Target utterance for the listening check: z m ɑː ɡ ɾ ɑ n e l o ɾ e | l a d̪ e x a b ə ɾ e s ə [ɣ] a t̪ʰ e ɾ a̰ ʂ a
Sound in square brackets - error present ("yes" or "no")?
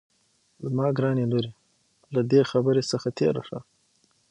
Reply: yes